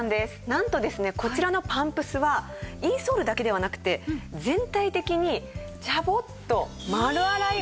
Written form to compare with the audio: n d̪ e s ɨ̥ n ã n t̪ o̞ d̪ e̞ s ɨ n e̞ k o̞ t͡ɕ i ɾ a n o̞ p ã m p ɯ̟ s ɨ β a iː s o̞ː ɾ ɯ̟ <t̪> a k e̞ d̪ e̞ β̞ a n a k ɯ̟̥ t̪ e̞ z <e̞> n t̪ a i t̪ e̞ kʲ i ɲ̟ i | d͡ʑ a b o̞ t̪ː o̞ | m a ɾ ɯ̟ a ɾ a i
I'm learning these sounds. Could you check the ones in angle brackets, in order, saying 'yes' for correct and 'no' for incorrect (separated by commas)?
no, no